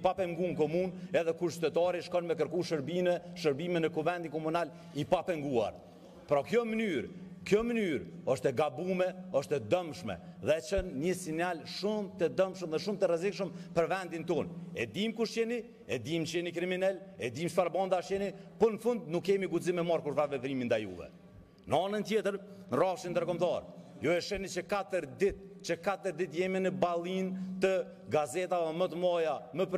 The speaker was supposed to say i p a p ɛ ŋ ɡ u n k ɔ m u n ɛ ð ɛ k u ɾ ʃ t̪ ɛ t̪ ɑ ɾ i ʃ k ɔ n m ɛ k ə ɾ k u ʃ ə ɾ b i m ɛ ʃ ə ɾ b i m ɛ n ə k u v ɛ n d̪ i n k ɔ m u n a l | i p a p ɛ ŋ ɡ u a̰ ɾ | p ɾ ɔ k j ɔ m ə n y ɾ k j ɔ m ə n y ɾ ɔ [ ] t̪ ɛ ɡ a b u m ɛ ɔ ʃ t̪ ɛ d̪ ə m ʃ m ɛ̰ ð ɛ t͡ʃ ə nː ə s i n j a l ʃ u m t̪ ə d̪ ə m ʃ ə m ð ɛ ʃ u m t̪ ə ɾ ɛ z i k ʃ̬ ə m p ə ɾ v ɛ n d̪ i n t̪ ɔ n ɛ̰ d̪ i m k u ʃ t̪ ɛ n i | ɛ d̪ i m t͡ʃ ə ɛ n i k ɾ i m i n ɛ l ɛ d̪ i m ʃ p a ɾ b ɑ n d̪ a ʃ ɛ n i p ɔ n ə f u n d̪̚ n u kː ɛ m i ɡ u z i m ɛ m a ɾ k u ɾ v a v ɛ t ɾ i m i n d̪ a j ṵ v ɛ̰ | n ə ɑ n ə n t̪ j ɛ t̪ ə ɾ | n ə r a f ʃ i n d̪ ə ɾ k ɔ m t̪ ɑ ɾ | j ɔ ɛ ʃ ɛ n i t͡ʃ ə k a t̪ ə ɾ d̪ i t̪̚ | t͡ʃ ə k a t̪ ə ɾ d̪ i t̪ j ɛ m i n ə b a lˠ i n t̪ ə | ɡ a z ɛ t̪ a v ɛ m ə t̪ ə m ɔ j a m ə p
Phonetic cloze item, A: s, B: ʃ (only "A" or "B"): B